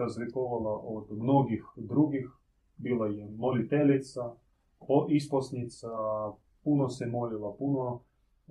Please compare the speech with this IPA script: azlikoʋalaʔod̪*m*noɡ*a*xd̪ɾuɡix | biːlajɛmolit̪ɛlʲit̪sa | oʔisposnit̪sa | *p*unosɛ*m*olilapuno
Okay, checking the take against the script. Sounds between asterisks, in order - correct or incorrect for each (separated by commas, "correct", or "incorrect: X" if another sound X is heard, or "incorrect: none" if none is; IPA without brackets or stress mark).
correct, incorrect: i, correct, correct